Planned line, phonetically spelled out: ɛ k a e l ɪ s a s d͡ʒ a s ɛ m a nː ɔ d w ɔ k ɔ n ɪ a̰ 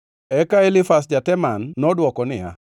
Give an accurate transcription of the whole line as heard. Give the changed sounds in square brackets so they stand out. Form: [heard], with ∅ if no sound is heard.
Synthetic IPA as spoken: ɛ k a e l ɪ [f] a s d͡ʒ a [t] ɛ m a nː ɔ d w ɔ k ɔ n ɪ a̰

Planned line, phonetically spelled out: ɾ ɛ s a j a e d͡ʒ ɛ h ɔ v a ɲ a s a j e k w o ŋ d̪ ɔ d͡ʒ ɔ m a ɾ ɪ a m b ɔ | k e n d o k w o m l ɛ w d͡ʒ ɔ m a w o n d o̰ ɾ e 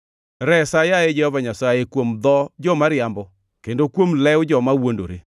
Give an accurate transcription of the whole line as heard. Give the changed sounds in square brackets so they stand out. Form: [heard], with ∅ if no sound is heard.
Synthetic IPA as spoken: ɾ ɛ s a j a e d͡ʒ ɛ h ɔ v a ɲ a s a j e k w o [m] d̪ ɔ d͡ʒ ɔ m a ɾ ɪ a m b ɔ | k e n d o k w o m l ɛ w d͡ʒ ɔ m a w o n d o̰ ɾ e

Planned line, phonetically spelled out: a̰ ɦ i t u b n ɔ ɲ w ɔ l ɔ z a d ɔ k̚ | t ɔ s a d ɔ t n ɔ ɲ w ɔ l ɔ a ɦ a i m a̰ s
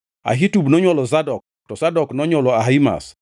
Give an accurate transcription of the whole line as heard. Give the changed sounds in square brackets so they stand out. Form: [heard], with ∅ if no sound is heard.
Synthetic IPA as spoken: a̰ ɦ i t u b n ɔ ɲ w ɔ l ɔ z a d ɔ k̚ | t ɔ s a d ɔ [k] n ɔ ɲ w ɔ l ɔ a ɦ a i m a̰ s

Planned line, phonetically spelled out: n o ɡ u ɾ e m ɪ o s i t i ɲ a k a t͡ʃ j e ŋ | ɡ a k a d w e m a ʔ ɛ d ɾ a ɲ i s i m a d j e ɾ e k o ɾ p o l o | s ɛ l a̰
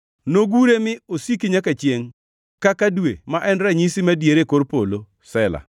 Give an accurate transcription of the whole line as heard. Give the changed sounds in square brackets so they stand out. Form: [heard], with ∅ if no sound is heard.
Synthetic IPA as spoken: n o ɡ u ɾ e m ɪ o s i [k] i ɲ a k a t͡ʃ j e ŋ | [k] a k a d w e m a ʔ ɛ [n] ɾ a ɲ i s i m a d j e ɾ e k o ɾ p o l o | s ɛ l a̰

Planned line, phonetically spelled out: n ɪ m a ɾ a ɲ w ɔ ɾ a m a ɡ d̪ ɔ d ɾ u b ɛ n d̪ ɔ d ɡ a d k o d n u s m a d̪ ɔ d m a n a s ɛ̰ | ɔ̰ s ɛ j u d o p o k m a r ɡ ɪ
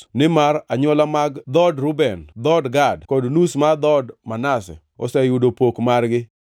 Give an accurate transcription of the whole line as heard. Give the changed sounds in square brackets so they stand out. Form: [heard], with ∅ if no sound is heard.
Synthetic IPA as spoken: n ɪ m a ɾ a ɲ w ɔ [l] a m a ɡ d̪ ɔ d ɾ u b ɛ n d̪ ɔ d ɡ a d k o d n u s m a d̪ ɔ d m a n a s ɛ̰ | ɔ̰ s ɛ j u d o p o k m a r ɡ ɪ

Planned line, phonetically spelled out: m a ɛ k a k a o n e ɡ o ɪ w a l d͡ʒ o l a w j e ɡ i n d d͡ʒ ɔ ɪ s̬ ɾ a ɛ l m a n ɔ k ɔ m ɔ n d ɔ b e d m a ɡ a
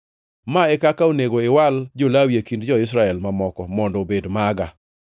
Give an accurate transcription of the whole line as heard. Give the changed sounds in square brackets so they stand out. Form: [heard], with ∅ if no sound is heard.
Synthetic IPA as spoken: m a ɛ k a k a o n e ɡ o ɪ w a l d͡ʒ o l a w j e [k] i n d d͡ʒ ɔ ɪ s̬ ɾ a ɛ l m a [m] ɔ k ɔ m ɔ n d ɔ b e d m a ɡ a

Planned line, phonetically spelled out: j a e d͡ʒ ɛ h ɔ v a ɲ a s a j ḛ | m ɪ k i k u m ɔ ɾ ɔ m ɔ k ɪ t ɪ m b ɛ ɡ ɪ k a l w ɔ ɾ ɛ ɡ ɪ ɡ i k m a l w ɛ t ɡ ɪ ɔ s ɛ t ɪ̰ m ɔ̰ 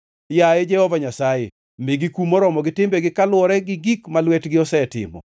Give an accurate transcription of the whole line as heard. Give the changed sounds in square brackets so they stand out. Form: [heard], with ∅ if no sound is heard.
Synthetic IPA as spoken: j a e d͡ʒ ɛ h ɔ v a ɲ a s a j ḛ | m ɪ [ɡ] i k u m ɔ ɾ ɔ m ɔ [ɡ] ɪ t ɪ m b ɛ ɡ ɪ k a l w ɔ ɾ ɛ ɡ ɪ ɡ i k m a l w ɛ t ɡ ɪ ɔ s ɛ t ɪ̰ m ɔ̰

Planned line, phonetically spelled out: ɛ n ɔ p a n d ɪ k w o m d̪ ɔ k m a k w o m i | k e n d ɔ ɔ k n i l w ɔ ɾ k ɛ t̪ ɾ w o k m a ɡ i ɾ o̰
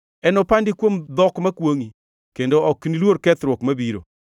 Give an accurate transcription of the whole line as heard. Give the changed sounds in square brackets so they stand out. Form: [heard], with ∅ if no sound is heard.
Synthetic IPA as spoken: ɛ n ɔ p a n d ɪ k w o m d̪ ɔ k m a k w o [ŋ] i | k e n d [o] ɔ k n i l w [o] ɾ k ɛ t̪ ɾ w o k m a [b] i ɾ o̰

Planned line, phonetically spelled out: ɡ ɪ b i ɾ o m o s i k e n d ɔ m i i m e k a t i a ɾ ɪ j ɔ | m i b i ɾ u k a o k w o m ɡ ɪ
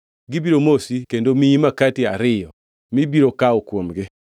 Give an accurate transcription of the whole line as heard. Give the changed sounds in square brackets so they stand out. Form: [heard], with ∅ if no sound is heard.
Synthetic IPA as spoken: ɡ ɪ b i ɾ o m o s i k e n d [o] m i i m [a] k a t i a ɾ ɪ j ɔ | m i b i ɾ [o] k a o k w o m ɡ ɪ

